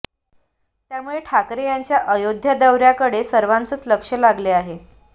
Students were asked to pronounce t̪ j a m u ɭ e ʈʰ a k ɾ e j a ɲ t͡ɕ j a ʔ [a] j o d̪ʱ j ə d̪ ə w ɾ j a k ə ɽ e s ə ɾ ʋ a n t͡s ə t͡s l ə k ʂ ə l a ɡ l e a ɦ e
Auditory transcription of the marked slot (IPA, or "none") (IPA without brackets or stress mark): ə